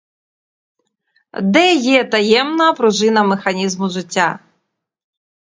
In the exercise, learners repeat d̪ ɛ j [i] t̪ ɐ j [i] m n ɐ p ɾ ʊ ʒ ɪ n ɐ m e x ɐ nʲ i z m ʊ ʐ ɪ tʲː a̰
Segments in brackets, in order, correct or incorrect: incorrect, incorrect

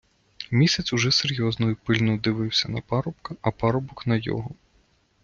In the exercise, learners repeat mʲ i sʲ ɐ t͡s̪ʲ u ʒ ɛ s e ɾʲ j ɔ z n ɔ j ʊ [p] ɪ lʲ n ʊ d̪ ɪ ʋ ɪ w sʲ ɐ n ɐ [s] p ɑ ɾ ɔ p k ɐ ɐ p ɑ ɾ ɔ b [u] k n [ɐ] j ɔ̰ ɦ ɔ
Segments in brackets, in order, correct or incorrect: correct, incorrect, incorrect, correct

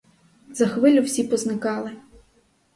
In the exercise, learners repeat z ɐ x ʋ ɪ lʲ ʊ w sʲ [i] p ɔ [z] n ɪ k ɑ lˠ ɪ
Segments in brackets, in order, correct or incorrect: correct, correct

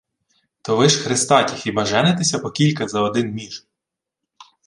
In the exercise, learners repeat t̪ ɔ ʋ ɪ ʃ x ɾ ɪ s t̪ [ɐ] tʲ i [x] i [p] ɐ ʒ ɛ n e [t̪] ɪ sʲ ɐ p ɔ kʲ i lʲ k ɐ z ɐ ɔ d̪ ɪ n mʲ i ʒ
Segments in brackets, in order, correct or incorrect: incorrect, correct, incorrect, correct

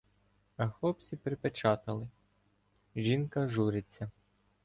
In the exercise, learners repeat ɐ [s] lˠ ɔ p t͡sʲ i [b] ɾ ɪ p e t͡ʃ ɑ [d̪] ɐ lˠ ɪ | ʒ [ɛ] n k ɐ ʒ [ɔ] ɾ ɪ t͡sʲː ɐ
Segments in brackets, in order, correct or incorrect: incorrect, incorrect, incorrect, incorrect, incorrect

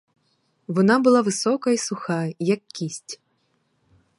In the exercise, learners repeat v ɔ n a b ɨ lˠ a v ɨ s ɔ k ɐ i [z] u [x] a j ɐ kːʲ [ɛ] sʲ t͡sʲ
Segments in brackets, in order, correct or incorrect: incorrect, correct, incorrect

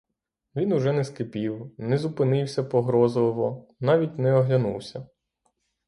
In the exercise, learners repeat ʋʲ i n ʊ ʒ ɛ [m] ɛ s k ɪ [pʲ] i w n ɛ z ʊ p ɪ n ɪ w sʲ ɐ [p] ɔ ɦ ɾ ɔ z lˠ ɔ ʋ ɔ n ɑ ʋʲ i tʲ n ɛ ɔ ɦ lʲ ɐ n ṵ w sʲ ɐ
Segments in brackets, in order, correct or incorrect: incorrect, correct, correct

